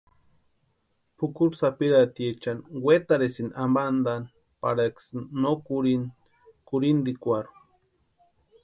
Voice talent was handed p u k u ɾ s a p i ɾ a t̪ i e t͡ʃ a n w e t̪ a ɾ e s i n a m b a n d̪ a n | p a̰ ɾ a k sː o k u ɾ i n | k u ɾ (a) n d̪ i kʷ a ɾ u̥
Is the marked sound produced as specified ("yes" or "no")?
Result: no